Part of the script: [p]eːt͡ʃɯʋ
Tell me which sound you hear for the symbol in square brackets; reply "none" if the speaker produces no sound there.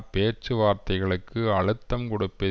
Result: p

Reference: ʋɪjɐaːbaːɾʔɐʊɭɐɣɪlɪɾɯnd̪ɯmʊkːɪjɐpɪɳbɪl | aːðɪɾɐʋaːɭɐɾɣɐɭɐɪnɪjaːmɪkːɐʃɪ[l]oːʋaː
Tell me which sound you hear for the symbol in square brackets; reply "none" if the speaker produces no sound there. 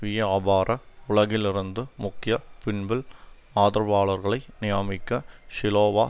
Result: l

